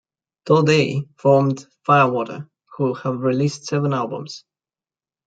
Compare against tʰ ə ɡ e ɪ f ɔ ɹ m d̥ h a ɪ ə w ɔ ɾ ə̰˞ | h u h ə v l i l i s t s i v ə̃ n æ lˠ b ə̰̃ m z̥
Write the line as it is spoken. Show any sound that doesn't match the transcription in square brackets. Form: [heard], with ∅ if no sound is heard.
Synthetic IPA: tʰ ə [d] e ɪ f ɔ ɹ m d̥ [f] a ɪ ə w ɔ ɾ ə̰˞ | h u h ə v [ɹ] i l i s t s [ɛ] v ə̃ n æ lˠ b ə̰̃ m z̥